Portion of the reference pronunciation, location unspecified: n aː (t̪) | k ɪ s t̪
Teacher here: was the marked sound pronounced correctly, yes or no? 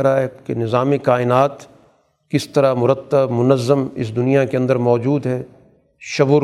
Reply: yes